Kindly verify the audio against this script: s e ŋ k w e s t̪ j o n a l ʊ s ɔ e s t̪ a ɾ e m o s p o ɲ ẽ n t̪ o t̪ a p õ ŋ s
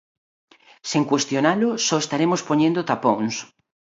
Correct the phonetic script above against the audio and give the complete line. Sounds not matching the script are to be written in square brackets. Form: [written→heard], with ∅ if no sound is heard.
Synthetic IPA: s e ŋ k w e s t̪ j o n a l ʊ s ɔ e s t̪ a ɾ e m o s p o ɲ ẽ n [t̪→d̪] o t̪ a p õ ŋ s